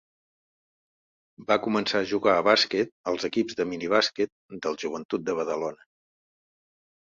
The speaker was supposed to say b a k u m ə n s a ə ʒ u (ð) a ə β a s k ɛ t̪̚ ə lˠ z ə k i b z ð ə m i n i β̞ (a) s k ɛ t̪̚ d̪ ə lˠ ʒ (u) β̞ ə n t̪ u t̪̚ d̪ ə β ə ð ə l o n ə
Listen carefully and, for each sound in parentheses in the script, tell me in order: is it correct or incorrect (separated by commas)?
incorrect, correct, correct